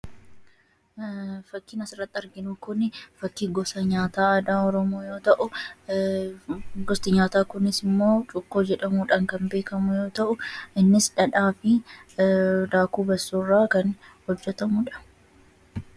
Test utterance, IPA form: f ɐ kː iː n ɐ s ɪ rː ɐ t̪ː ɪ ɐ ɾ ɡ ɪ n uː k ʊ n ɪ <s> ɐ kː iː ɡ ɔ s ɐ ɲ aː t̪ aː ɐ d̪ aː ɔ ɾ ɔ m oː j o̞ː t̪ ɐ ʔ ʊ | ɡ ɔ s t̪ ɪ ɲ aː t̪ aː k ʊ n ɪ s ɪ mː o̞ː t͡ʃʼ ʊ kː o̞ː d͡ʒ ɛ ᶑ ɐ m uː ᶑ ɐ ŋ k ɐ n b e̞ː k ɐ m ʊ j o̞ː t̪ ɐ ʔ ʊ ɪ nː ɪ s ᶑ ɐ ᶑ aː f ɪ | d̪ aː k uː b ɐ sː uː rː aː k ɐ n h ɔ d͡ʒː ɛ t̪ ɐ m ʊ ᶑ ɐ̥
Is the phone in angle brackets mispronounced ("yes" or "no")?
yes